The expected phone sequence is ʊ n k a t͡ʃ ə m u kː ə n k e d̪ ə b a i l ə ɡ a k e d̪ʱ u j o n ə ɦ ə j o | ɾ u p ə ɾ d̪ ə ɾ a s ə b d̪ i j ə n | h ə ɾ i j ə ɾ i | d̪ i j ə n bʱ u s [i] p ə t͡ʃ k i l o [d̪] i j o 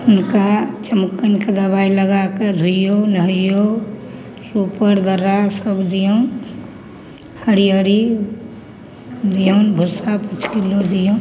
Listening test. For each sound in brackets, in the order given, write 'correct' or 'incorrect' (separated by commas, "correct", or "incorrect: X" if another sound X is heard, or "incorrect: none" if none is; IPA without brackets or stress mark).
incorrect: a, correct